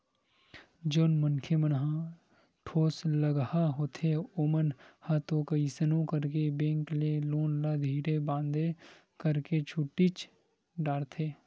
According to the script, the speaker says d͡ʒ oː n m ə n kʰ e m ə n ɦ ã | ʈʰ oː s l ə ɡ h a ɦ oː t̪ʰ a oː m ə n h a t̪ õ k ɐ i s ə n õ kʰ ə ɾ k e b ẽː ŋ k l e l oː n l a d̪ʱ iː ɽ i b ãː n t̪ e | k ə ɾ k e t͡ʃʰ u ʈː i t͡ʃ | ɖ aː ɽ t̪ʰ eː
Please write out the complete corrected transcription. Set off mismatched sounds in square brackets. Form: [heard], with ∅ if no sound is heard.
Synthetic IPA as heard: d͡ʒ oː n m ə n kʰ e m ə n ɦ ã | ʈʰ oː s l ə ɡ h a ɦ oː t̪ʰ [e] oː m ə n h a t̪ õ k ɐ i s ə n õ [k] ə ɾ k e b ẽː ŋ k l e l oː n l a d̪ʱ iː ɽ [e] b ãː n [d̪] e | k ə ɾ k e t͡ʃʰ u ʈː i t͡ʃ | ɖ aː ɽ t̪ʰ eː

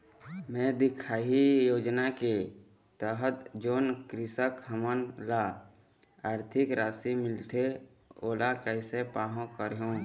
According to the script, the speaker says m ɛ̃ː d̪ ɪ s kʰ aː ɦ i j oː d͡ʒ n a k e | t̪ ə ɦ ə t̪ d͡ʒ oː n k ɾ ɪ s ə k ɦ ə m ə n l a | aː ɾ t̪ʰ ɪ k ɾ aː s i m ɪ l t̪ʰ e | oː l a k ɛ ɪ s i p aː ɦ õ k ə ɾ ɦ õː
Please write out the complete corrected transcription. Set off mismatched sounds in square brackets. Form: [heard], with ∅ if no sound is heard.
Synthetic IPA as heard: m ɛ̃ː d̪ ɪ [∅] kʰ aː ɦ i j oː d͡ʒ n a k e | t̪ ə ɦ ə t̪ d͡ʒ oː n k ɾ ɪ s ə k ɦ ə m ə n l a | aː ɾ t̪ʰ ɪ k ɾ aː s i m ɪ l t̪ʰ e | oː l a k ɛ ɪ s [e] p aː ɦ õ k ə ɾ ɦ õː

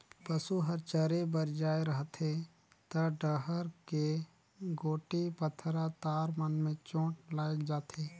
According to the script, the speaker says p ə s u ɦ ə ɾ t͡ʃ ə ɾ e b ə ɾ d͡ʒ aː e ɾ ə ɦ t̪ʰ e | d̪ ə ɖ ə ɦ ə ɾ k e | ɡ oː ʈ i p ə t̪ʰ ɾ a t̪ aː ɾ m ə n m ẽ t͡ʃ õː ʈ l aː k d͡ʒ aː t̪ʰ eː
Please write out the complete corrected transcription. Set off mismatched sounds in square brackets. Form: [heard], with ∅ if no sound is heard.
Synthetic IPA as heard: p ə s u ɦ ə ɾ t͡ʃ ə ɾ e b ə ɾ d͡ʒ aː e ɾ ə ɦ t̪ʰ e | [t̪] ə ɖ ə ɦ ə ɾ k e | ɡ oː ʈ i p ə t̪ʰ ɾ a t̪ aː ɾ m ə n m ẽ t͡ʃ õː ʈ l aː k d͡ʒ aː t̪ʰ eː

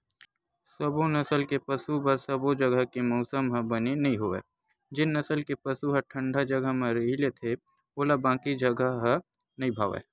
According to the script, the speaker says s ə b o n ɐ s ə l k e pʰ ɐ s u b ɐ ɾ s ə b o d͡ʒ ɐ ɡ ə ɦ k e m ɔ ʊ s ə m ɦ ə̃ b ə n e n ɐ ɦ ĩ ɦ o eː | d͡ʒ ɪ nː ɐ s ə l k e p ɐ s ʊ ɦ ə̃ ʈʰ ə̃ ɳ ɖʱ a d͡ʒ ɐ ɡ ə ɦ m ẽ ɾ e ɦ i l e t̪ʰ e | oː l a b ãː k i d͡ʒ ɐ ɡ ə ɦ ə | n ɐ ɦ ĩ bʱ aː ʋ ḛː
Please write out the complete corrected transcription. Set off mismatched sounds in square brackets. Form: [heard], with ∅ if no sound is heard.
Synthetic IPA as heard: s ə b o n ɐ s ə l k e [p] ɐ s u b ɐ ɾ s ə b o d͡ʒ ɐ ɡ ə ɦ k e m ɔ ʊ s ə m ɦ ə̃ b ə n e n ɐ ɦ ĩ ɦ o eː | d͡ʒ ɪ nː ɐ s ə l k e p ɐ s [u] ɦ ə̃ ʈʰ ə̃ ɳ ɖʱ a d͡ʒ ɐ ɡ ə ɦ m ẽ ɾ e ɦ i l e t̪ʰ e | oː l a b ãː k i d͡ʒ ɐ ɡ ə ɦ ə | n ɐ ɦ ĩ bʱ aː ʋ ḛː

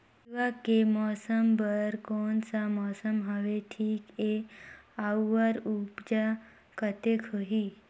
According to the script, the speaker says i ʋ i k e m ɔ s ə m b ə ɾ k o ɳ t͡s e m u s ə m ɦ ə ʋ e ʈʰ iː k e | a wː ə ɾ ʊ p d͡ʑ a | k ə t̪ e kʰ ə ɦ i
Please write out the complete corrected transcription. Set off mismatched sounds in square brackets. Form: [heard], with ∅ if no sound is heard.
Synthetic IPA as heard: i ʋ [a] k e m ɔ s ə m b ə ɾ k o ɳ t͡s [a] m [ɔ] s ə m ɦ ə ʋ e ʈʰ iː k e | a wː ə ɾ [u] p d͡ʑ a | k ə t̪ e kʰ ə ɦ i

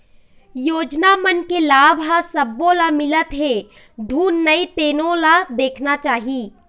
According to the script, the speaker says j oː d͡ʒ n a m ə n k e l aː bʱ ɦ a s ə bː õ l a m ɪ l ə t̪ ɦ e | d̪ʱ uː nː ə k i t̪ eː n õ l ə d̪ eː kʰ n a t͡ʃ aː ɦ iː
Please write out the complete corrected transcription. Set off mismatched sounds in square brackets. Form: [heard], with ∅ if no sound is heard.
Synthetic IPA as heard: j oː d͡ʒ n a m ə n k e l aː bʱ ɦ a s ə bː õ l a m ɪ l ə t̪ ɦ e | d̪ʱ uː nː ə [∅] i t̪ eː n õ l [a] d̪ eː kʰ n a t͡ʃ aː ɦ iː

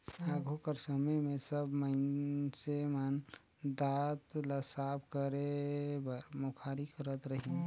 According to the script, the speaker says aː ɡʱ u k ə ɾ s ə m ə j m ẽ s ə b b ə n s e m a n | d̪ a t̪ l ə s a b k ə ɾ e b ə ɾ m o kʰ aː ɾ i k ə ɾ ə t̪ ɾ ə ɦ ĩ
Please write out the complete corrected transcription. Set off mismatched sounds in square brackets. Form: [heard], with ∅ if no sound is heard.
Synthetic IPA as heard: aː ɡʱ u k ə ɾ s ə m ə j m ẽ s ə b [m] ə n s e m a n | d̪ a t̪ l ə s a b k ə ɾ e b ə ɾ m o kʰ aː ɾ i k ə ɾ ə t̪ ɾ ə ɦ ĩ

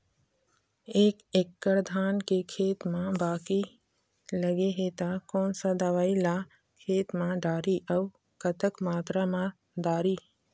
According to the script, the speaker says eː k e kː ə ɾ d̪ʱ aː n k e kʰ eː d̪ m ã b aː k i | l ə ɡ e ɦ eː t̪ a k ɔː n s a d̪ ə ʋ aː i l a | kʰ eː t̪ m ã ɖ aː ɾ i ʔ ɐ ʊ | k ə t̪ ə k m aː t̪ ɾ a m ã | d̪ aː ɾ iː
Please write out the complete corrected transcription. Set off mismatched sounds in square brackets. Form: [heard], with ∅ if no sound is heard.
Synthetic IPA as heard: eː k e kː ə ɾ d̪ʱ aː n k e kʰ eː [t̪] m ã b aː k i | l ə ɡ e ɦ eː t̪ a k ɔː n s a d̪ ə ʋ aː i l a | kʰ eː t̪ m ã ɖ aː ɾ i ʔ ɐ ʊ | k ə t̪ ə k m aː t̪ ɾ a m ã | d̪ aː ɾ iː

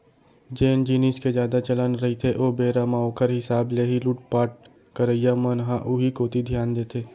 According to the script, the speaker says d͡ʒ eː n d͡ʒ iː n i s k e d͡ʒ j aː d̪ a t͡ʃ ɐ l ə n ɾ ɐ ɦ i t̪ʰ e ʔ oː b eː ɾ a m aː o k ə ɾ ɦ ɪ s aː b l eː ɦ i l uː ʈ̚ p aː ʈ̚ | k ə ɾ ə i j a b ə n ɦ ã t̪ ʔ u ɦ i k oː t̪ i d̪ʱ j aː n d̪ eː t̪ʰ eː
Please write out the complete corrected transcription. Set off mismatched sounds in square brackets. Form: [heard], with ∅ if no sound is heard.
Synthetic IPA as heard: d͡ʒ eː n d͡ʒ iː n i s k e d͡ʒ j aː d̪ a t͡ʃ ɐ l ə n ɾ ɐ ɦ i t̪ʰ e ʔ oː b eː ɾ a m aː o k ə ɾ ɦ ɪ s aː b l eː ɦ i l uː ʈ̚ p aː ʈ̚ | k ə ɾ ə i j a [m] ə n ɦ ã [∅] ʔ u ɦ i k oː t̪ i d̪ʱ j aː n d̪ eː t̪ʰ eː

